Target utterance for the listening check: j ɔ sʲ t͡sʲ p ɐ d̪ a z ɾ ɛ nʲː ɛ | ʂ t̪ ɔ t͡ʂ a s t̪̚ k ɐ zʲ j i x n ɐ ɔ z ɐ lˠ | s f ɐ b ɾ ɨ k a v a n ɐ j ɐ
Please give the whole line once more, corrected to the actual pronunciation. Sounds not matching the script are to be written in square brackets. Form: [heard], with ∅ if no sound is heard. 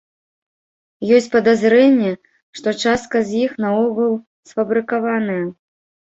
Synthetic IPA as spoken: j ɔ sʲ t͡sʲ p ɐ d̪ a z ɾ ɛ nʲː ɛ | ʂ t̪ ɔ t͡ʂ a s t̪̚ k ɐ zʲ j i x n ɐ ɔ [ɣ] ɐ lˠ | s f ɐ b ɾ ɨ k a v a n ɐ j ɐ